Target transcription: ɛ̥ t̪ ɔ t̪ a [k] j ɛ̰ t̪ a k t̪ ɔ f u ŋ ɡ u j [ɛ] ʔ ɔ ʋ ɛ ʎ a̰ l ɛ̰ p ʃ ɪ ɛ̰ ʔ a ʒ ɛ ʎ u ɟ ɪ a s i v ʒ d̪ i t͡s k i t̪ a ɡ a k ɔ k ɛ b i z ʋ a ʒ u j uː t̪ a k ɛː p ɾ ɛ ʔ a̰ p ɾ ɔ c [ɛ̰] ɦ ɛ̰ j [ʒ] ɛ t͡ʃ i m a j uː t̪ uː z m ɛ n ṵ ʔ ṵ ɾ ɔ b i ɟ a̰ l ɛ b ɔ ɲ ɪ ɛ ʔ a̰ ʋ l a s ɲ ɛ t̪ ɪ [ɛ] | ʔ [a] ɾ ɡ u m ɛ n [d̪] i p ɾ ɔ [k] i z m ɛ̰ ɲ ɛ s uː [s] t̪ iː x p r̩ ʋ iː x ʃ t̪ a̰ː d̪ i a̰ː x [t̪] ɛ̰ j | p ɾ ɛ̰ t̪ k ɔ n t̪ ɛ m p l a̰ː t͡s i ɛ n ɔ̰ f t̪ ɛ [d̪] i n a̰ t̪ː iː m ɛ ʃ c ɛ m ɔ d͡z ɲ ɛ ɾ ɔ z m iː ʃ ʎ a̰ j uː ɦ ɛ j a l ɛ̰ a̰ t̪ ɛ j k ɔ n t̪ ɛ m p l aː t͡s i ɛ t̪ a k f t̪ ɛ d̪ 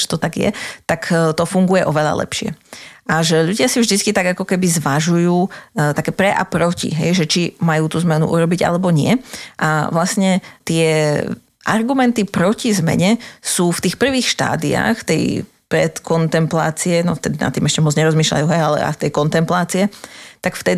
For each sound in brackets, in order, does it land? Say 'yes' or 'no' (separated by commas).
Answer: no, yes, no, yes, yes, yes, no, no, no, yes, yes